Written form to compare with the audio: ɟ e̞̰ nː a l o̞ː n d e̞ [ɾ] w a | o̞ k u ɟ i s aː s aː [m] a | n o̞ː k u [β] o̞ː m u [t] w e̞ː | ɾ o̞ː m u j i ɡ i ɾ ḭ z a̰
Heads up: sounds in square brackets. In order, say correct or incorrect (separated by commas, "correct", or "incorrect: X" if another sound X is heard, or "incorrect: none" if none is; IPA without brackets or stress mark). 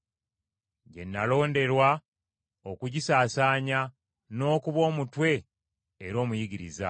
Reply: correct, incorrect: ɲ, correct, correct